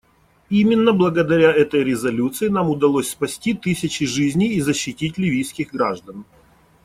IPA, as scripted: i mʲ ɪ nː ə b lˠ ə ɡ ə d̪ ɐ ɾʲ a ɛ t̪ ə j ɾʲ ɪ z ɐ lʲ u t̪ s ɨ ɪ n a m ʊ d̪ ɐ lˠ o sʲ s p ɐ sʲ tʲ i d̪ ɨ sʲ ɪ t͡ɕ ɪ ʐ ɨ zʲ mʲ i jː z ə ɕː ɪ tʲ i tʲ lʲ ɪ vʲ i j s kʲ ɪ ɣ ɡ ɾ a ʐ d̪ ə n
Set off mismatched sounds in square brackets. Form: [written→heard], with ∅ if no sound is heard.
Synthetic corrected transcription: i mʲ ɪ nː ə b lˠ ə ɡ ə d̪ ɐ ɾʲ a ɛ t̪ ə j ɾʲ ɪ z ɐ lʲ u t̪ s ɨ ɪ n a m ʊ d̪ ɐ lˠ o sʲ s p ɐ sʲ tʲ i [d̪→t̪] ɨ sʲ ɪ t͡ɕ ɪ ʐ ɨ zʲ [mʲ→nʲ] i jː z ə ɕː ɪ tʲ i tʲ lʲ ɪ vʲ i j s kʲ ɪ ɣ ɡ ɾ a ʐ d̪ ə n